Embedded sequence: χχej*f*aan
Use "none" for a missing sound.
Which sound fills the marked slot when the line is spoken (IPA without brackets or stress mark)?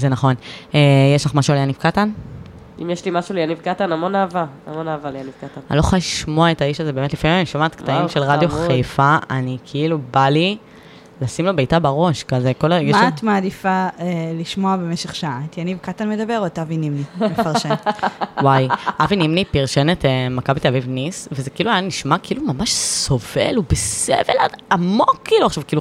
f